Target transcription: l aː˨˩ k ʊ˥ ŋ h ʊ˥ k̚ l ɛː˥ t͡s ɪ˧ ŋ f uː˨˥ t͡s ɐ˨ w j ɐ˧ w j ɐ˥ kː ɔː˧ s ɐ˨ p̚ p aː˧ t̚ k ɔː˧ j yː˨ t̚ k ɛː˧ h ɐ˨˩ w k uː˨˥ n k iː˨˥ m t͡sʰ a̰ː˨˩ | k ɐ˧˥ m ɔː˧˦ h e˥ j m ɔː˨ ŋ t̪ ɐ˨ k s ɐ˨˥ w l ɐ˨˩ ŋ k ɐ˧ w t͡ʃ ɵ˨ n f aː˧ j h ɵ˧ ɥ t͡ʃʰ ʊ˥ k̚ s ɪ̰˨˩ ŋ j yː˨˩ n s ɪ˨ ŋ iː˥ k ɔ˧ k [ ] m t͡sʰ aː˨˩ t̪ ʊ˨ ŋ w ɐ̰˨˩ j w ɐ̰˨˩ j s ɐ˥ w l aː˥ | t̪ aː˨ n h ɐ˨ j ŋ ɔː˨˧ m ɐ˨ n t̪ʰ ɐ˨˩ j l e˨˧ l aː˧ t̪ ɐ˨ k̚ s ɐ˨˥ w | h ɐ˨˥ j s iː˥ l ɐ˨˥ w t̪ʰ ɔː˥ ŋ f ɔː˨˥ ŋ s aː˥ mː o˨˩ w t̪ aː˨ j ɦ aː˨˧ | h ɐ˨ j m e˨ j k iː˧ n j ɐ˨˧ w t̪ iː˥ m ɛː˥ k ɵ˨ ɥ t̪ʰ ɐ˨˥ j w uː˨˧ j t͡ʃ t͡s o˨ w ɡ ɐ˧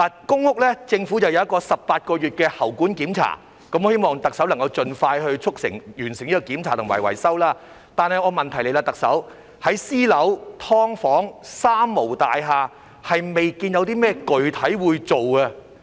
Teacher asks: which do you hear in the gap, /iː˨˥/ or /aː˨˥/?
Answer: iː˨˥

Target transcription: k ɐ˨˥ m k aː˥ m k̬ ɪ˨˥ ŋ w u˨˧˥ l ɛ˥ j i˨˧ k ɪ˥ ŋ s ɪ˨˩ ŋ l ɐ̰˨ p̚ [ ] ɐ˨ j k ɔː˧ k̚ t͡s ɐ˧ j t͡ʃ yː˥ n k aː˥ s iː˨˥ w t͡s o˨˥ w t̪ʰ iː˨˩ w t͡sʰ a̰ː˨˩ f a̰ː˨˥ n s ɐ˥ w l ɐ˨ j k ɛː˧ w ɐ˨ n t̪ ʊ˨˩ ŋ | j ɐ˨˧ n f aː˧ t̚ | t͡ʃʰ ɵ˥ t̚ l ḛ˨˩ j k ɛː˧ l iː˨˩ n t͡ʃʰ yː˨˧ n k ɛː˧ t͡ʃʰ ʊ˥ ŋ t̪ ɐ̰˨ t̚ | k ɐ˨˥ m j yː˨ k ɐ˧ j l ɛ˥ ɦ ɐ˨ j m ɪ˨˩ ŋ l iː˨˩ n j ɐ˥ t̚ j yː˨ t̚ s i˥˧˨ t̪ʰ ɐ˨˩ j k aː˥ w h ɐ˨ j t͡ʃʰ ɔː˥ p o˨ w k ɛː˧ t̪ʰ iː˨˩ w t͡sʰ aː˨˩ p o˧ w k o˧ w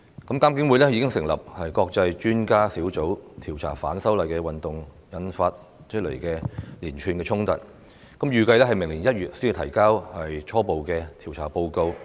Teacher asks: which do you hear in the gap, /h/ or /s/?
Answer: h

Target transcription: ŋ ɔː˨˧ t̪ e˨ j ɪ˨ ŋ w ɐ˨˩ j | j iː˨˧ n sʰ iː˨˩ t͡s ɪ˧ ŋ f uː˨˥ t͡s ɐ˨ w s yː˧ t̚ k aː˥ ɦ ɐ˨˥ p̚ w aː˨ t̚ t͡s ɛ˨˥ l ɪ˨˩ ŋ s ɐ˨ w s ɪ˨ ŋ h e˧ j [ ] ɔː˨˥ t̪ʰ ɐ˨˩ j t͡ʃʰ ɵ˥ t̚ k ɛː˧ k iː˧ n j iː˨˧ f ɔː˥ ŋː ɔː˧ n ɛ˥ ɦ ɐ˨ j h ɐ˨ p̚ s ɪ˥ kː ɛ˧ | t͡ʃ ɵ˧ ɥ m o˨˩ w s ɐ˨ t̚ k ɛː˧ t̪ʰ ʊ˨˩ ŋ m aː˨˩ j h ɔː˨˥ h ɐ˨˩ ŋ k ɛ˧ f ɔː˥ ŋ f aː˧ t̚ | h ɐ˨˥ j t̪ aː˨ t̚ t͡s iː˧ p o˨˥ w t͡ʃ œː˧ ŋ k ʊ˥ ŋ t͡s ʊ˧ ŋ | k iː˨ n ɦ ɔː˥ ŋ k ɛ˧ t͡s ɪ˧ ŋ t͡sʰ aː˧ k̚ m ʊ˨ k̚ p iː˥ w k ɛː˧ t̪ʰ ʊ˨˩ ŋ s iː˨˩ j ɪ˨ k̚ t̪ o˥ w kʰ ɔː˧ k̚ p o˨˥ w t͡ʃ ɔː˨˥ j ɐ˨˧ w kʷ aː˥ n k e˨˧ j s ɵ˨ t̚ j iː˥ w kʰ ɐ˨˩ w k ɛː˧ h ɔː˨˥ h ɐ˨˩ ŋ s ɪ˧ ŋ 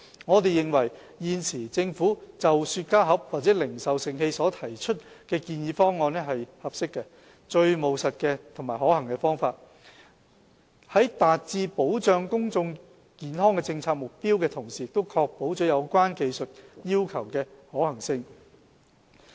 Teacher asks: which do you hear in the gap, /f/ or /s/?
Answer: s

